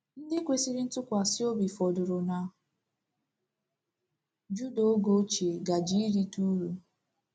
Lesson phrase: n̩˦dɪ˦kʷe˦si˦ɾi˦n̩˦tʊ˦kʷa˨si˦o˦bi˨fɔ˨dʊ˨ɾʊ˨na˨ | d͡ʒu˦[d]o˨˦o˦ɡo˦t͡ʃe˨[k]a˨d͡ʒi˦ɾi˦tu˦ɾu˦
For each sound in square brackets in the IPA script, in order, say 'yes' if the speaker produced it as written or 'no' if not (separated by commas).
yes, no